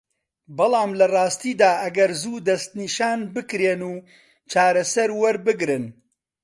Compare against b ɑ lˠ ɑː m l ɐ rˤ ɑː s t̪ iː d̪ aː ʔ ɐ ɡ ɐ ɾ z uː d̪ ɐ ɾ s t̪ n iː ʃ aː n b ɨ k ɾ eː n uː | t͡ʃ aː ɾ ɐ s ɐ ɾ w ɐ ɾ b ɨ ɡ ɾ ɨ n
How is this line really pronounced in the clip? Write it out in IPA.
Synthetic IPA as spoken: b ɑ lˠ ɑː m l ɐ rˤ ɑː s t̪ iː d̪ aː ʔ ɐ ɡ ɐ ɾ z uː d̪ ɐ s t̪ n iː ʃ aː n b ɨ k ɾ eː n uː | t͡ʃ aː ɾ ɐ s ɐ ɾ w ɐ ɾ b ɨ ɡ ɾ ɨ n